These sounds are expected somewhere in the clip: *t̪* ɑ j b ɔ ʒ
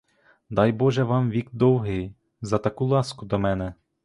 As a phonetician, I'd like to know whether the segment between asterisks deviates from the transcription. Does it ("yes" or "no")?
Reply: yes